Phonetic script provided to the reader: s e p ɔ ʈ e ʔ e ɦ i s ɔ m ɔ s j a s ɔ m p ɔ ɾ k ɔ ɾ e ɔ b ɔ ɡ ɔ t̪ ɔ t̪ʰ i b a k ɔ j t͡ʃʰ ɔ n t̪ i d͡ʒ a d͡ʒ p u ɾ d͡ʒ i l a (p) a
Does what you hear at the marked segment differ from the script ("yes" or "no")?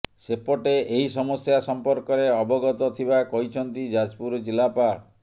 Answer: no